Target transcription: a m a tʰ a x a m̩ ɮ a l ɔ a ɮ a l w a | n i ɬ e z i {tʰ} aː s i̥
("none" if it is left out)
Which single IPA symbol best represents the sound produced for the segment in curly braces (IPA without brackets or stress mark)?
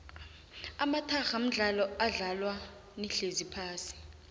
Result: pʰ